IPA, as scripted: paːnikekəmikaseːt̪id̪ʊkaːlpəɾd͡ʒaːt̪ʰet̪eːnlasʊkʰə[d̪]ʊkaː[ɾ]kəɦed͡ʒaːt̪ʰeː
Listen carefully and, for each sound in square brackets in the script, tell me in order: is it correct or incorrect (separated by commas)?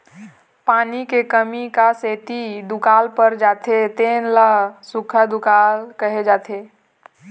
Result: correct, incorrect